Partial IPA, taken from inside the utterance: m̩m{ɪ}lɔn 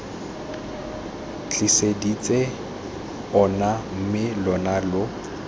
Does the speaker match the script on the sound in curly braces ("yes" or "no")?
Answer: yes